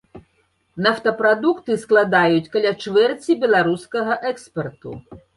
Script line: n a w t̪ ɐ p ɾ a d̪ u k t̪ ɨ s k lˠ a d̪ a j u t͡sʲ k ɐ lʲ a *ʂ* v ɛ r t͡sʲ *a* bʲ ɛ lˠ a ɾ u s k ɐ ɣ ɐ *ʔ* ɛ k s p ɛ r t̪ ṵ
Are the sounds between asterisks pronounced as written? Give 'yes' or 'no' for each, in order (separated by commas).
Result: no, no, yes